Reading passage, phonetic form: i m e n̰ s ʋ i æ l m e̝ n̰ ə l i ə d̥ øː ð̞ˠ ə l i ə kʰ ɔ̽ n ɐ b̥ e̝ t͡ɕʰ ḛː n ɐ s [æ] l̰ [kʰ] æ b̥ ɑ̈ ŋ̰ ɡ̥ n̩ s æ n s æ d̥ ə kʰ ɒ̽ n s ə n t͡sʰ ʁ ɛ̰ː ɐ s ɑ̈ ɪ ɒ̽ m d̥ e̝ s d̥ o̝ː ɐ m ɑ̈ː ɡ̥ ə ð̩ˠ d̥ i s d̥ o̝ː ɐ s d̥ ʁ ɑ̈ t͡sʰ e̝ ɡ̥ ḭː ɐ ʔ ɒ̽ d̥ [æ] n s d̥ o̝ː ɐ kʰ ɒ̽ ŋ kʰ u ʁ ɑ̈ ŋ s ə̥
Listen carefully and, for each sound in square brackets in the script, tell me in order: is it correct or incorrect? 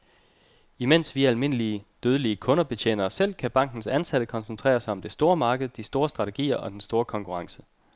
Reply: incorrect: e, correct, incorrect: e

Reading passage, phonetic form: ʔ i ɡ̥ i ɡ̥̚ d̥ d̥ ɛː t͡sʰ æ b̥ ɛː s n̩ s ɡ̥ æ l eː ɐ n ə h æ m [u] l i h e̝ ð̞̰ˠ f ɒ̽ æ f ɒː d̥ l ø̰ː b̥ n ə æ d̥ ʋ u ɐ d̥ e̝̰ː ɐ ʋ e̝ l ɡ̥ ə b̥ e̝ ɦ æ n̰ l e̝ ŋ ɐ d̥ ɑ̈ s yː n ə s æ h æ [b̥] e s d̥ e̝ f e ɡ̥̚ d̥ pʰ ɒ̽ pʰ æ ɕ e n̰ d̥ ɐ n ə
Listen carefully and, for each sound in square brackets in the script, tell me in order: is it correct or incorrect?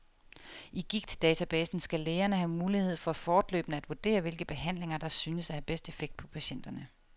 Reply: incorrect: uː, correct

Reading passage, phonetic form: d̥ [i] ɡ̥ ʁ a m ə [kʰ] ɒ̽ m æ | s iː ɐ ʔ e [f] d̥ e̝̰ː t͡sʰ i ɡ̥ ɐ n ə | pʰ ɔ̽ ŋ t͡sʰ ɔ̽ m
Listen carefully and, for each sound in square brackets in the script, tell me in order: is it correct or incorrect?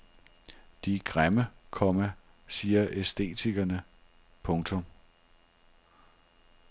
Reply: correct, correct, incorrect: s

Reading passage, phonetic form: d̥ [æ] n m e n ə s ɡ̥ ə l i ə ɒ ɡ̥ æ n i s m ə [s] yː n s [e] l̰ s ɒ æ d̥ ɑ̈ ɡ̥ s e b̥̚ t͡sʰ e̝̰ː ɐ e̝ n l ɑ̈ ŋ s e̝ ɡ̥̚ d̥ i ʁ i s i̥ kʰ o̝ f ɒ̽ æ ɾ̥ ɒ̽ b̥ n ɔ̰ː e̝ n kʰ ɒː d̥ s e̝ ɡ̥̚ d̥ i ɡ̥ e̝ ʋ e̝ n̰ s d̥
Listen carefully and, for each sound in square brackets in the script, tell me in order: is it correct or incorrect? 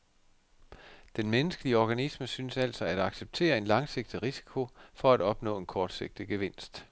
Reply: incorrect: e, correct, incorrect: æ

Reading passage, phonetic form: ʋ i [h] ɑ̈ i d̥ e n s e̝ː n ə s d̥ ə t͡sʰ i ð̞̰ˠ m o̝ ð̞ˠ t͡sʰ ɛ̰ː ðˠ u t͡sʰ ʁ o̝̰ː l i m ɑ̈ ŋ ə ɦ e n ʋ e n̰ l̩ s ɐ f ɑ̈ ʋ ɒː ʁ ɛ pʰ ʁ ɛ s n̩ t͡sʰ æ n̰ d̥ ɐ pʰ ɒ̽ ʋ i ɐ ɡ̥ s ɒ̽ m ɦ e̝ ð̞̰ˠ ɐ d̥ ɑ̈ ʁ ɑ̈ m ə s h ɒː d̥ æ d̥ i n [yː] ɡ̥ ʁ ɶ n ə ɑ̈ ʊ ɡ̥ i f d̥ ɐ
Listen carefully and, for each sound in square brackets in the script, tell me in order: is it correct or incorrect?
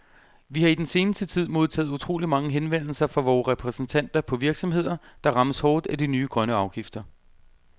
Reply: correct, correct

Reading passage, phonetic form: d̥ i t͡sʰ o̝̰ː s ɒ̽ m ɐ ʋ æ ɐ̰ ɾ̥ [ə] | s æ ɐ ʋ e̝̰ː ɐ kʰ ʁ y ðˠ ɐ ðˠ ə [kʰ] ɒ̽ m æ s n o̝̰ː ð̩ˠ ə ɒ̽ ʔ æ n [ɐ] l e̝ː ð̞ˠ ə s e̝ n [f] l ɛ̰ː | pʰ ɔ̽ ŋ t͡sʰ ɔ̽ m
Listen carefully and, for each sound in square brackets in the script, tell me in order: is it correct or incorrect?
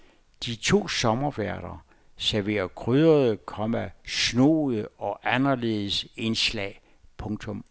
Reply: incorrect: ɐ, correct, correct, incorrect: s

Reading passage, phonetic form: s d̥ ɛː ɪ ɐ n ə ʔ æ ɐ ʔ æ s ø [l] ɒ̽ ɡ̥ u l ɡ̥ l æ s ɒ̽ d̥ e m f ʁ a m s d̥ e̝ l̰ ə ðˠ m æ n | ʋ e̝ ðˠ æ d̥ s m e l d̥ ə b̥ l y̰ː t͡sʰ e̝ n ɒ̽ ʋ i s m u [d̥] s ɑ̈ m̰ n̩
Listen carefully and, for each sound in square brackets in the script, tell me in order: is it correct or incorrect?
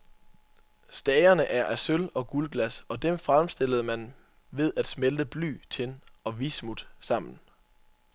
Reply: correct, correct

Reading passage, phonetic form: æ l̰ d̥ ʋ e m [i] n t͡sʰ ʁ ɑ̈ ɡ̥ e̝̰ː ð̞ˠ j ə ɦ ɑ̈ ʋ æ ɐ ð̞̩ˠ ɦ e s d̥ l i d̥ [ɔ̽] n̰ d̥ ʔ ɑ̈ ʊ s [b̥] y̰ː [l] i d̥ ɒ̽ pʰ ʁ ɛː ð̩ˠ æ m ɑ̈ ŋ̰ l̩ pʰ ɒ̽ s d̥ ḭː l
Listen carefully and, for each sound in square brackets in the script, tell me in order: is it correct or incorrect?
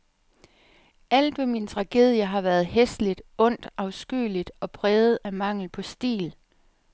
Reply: correct, correct, incorrect: ɡ̥, correct

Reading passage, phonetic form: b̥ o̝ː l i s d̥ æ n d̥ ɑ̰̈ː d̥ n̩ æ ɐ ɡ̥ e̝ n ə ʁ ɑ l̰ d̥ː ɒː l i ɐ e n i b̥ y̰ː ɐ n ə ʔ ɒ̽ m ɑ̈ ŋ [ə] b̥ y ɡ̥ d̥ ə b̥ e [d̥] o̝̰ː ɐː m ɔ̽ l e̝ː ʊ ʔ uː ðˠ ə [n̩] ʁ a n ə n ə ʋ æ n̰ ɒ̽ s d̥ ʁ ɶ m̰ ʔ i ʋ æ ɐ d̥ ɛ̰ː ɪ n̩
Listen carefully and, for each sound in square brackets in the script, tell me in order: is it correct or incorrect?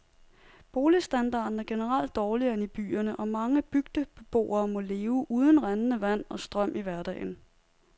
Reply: correct, incorrect: b̥, correct

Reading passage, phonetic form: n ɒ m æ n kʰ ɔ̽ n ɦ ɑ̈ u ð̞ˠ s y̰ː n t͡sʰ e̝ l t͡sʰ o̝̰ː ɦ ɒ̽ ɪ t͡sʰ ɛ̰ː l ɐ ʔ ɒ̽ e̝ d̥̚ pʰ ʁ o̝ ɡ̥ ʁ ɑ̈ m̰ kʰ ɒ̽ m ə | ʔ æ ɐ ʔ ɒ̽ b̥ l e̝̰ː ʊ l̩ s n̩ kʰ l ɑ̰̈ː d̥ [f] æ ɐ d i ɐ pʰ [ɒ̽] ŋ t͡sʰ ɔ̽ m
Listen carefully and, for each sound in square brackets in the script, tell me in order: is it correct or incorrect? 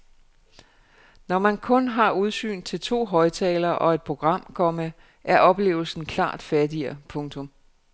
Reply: correct, incorrect: ɔ̽

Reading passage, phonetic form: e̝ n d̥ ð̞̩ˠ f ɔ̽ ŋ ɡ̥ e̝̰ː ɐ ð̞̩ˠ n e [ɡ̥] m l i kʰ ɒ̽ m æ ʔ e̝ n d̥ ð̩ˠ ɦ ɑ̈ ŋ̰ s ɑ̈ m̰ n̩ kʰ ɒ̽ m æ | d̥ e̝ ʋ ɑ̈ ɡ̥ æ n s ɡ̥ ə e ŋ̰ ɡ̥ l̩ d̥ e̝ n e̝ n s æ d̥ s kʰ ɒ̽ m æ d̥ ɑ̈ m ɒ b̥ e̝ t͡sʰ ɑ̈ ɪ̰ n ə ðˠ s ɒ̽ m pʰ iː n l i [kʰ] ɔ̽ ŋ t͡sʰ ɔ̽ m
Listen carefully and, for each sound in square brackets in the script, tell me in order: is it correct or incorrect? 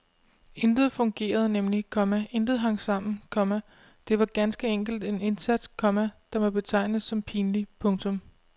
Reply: incorrect: none, incorrect: pʰ

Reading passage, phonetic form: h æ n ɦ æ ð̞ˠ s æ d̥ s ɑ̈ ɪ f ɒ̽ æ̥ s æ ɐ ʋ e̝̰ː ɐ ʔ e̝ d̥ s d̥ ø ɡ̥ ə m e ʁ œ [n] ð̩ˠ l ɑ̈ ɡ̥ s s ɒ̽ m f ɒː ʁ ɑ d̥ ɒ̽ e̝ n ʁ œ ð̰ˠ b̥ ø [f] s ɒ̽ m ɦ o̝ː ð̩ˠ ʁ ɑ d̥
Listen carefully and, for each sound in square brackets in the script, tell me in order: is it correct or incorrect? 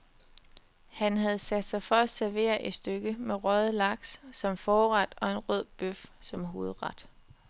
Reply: incorrect: none, correct

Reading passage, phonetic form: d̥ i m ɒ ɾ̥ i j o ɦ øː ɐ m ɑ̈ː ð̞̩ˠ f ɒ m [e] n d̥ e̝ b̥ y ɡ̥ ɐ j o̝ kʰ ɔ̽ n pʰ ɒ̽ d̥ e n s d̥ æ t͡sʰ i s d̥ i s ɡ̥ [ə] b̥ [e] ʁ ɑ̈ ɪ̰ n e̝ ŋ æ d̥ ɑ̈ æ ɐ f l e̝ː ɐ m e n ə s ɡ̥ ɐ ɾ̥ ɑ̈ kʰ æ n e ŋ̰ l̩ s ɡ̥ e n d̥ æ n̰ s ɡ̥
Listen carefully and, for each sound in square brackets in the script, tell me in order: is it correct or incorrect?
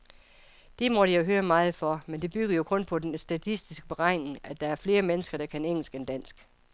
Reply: correct, correct, correct

